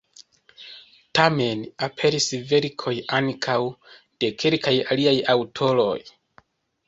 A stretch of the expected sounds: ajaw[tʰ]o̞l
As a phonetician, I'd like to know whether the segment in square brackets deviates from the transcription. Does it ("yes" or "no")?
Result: no